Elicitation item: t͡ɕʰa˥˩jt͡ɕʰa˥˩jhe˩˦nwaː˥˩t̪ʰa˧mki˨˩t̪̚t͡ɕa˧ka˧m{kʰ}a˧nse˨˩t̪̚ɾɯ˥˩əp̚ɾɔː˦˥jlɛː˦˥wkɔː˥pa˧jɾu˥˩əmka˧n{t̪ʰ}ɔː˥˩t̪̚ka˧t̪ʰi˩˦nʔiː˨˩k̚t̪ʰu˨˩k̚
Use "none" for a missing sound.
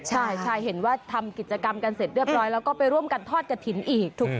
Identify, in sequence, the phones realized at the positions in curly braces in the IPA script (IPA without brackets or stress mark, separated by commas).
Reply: k, t̪ʰ